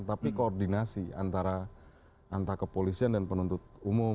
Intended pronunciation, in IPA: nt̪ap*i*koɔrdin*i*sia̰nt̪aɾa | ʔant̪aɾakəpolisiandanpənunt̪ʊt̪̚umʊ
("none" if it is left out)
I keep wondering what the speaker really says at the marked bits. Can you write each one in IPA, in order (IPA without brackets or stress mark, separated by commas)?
i, a